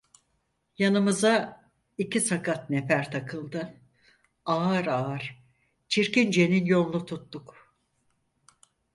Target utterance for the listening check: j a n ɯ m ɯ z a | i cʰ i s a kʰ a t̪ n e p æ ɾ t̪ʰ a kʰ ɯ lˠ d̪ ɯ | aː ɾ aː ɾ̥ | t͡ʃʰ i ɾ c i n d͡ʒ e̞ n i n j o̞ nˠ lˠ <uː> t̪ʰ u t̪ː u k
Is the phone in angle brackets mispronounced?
yes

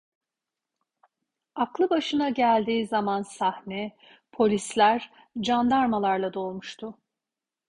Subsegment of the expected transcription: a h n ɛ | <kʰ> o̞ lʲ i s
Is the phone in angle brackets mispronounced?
yes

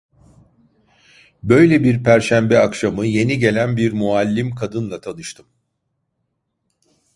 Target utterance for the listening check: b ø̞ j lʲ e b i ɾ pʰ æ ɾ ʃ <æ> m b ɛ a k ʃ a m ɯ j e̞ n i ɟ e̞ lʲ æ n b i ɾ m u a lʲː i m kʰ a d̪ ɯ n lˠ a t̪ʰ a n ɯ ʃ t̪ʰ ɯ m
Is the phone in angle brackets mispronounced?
no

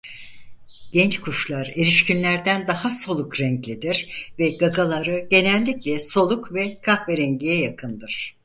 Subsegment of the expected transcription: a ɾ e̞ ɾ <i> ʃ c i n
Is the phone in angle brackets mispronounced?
no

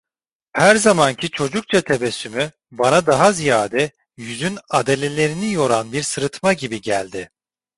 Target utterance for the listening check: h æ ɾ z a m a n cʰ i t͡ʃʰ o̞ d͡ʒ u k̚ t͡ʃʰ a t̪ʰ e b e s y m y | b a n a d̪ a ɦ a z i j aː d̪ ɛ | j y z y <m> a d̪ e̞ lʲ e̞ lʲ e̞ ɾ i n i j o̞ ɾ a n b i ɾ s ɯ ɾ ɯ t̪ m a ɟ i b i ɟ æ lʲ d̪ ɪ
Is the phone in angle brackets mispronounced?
yes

